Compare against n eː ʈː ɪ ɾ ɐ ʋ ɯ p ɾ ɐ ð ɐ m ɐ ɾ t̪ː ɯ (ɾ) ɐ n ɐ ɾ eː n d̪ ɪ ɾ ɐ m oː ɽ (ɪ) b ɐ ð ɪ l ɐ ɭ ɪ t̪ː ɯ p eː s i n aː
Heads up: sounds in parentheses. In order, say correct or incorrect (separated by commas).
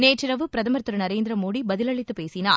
correct, incorrect